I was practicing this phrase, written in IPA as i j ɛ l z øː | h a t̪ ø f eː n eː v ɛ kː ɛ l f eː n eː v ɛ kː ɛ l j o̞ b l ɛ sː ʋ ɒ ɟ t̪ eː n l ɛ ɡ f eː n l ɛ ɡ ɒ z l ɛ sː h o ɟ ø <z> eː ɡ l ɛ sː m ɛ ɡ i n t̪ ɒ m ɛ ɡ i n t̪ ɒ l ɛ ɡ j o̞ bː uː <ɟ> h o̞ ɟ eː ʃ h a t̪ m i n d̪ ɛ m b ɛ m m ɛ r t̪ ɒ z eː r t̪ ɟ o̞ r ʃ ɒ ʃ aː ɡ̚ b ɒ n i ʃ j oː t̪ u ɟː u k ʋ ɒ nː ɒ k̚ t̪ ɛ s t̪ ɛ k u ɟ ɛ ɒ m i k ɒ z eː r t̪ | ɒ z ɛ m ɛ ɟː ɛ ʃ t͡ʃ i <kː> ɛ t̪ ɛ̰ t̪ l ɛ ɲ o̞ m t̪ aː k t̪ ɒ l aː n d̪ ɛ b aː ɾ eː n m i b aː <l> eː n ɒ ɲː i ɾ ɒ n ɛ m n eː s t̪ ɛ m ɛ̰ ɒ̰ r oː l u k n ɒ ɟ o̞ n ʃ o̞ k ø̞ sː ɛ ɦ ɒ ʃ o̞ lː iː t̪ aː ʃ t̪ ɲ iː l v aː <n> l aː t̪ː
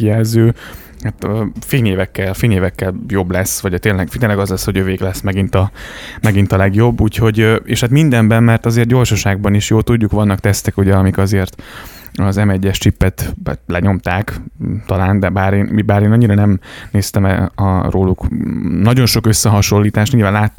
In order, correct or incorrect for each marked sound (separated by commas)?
incorrect, incorrect, incorrect, incorrect, correct